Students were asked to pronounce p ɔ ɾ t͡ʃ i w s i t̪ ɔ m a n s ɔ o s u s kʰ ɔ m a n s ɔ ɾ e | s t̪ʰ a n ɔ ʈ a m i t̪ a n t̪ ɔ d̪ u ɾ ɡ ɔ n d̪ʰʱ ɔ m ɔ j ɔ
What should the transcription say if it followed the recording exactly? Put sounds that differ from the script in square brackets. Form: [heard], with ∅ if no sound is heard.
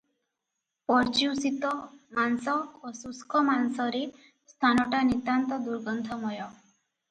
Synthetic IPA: p ɔ ɾ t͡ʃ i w s i t̪ ɔ m a n s ɔ o s u s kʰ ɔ m a n s ɔ ɾ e | s t̪ʰ a n ɔ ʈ a [n] i t̪ a n t̪ ɔ d̪ u ɾ ɡ ɔ n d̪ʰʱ ɔ m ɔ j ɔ